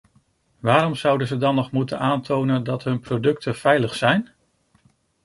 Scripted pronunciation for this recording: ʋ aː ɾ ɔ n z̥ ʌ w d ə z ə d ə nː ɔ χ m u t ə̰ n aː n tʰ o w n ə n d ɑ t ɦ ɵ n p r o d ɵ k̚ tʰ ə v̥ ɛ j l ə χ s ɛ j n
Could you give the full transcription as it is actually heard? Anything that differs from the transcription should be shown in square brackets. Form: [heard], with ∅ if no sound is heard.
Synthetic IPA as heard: ʋ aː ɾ ɔ [m] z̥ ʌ w d ə z ə d [ɑ] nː ɔ χ m u t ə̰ n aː n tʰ o w n ə n d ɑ t ɦ ɵ n p r o d ɵ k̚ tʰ ə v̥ ɛ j l ə χ s ɛ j n